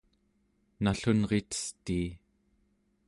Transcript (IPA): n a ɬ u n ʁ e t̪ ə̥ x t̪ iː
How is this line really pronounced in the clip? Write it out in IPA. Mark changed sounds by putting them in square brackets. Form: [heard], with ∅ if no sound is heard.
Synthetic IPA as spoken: n a ɬ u n ʁ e t̪ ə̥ [s] t̪ iː